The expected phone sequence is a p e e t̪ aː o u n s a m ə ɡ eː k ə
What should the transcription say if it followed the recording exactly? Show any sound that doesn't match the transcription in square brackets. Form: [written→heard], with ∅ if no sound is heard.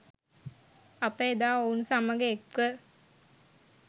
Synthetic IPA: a p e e [t̪→d̪] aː o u n s a m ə ɡ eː k ə